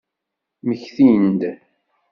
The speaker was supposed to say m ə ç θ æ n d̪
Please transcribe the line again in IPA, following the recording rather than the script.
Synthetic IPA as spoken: m ə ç θ i n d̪